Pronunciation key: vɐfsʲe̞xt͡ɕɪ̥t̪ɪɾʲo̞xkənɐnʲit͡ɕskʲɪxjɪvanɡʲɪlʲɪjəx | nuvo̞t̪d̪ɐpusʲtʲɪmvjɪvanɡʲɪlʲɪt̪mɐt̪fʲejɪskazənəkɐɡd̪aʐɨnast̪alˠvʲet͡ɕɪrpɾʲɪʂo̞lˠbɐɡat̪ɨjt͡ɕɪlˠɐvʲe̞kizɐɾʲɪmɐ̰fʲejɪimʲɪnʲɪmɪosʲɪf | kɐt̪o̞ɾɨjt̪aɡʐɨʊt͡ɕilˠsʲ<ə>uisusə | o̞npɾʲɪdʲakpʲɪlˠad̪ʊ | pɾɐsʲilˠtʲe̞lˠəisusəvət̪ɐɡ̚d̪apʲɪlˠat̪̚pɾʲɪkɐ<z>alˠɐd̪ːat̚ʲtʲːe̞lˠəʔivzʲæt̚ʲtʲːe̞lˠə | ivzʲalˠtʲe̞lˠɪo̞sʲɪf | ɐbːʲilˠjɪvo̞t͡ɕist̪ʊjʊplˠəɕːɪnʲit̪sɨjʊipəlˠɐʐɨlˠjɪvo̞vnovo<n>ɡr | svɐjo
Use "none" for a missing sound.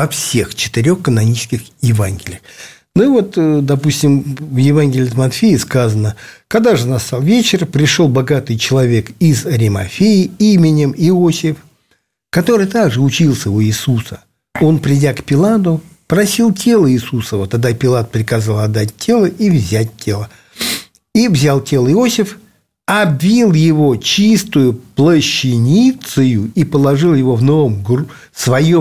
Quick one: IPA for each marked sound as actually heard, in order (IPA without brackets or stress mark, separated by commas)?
ə, z, m